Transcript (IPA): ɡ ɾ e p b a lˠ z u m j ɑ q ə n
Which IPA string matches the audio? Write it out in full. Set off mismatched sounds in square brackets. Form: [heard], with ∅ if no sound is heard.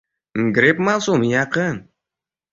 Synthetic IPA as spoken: ɡ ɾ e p [m] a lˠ [s] u m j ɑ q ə n